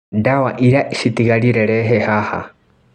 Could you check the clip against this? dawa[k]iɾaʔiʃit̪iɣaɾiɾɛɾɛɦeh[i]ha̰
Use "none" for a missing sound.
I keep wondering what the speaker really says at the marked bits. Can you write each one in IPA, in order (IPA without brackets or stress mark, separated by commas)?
ʔ, a